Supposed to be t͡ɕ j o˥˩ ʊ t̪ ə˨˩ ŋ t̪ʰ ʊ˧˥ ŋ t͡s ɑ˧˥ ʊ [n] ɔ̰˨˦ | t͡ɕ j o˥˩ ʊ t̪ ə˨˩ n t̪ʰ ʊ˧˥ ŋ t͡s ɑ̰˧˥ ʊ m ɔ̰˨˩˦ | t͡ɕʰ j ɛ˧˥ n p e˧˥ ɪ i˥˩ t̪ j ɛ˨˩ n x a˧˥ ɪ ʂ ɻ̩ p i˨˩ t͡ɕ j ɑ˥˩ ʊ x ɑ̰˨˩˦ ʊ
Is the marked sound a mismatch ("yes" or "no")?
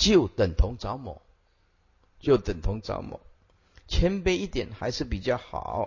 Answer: yes